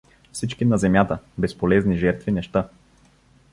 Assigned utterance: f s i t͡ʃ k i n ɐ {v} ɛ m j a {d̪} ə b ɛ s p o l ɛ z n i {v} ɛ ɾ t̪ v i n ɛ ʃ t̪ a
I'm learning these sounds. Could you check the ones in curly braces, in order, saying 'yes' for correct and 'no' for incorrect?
no, no, no

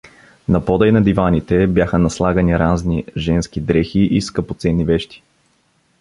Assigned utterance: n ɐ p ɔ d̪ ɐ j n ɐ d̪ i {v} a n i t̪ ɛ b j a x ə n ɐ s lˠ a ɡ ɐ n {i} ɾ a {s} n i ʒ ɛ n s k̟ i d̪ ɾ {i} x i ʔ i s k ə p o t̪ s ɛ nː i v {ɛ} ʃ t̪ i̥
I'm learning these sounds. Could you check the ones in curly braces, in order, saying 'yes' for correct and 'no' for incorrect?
yes, yes, no, no, yes

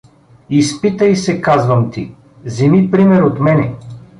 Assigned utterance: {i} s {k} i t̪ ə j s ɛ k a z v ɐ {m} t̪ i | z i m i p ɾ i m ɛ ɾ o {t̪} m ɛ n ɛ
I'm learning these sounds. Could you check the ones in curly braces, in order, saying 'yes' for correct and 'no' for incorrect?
yes, no, yes, yes

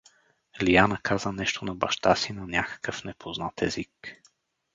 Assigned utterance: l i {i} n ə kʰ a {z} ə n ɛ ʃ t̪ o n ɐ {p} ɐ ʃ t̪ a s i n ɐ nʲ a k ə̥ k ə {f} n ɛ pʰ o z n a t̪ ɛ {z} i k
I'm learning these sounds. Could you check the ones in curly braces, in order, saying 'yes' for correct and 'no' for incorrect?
no, yes, no, yes, yes

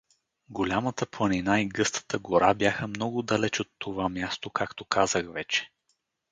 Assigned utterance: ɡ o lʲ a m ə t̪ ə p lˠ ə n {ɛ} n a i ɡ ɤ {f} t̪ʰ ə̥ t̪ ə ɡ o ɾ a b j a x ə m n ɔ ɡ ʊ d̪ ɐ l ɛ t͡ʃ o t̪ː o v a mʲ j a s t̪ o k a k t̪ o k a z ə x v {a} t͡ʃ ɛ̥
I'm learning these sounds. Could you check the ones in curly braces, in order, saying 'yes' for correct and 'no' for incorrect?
no, no, no

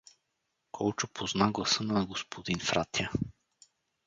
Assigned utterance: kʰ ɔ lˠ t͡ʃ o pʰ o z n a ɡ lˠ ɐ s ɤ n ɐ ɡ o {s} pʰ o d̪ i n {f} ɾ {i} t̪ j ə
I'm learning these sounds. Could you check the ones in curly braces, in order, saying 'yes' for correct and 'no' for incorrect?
yes, yes, no

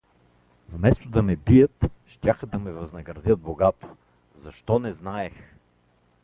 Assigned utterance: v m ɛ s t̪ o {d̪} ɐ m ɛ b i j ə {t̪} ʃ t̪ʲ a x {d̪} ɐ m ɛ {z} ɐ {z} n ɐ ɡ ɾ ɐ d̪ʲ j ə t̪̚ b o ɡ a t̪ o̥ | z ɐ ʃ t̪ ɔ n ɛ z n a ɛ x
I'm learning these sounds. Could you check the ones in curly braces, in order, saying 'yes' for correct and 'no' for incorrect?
yes, yes, yes, no, yes

